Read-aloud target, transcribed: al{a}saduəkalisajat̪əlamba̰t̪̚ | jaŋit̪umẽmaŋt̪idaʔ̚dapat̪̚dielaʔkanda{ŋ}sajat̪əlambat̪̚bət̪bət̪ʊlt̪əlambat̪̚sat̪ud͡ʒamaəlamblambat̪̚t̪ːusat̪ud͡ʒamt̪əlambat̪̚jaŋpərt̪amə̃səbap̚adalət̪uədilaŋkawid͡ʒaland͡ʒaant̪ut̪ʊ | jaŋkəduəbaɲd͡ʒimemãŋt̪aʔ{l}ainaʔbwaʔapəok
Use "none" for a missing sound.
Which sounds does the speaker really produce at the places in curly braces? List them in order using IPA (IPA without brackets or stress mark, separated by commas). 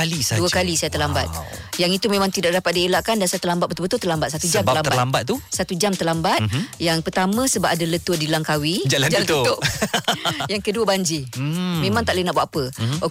i, n, l